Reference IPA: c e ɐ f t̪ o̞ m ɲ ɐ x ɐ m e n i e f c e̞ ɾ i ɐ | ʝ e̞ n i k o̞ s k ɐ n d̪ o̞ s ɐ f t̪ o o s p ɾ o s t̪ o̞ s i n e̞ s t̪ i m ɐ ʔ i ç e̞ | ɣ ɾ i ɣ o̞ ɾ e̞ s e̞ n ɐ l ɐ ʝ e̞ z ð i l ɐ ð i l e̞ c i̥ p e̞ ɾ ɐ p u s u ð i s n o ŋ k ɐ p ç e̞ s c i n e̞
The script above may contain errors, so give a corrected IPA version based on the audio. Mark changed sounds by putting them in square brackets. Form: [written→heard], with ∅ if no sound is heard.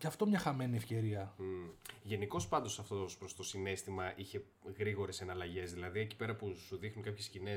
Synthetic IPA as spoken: c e ɐ f t̪ o̞ m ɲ ɐ x ɐ m e n i e f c e̞ ɾ i ɐ | ʝ e̞ n i k o̞ s [k→p] ɐ n d̪ o̞ s ɐ f t̪ o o s p ɾ o s t̪ o̞ s i n e̞ s t̪ i m ɐ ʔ i ç e̞ | ɣ ɾ i ɣ o̞ ɾ e̞ s e̞ n ɐ l ɐ ʝ e̞ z ð i l ɐ ð i [l→∅] e̞ c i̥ p e̞ ɾ ɐ p u s u ð i [s→x] n [o→u] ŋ k ɐ p ç e̞ s c i n e̞